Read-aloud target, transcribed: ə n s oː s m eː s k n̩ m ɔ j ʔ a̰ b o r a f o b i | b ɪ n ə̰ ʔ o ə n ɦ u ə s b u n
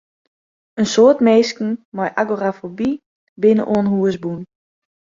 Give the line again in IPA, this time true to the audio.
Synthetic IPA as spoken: ə n s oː t m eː s k n̩ m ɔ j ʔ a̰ ɡ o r a f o b i | b ɪ n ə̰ ʔ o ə n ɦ u ə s b u n